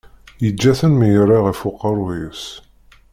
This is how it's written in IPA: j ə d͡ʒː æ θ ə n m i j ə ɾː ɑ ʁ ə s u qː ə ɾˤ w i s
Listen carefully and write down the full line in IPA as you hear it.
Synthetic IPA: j ə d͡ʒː æ θ ə n m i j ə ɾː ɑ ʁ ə f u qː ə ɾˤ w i s